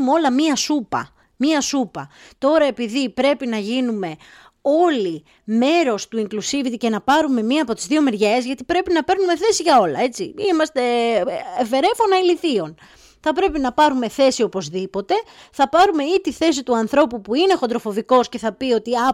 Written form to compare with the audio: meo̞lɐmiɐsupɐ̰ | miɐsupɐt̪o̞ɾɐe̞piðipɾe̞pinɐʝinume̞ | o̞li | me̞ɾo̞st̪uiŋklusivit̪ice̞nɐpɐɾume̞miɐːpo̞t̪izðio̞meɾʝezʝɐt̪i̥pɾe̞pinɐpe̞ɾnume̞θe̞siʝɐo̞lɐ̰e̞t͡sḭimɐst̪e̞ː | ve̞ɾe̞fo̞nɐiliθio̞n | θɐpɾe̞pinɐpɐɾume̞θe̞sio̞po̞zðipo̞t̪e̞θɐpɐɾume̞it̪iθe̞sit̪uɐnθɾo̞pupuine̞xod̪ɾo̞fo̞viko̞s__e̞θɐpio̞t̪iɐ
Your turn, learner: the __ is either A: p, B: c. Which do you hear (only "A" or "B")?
B